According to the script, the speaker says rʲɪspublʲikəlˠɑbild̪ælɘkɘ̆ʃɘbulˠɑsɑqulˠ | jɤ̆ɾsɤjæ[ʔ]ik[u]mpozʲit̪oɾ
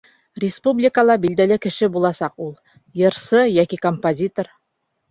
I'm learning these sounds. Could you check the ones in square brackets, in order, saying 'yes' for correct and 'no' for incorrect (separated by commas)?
no, no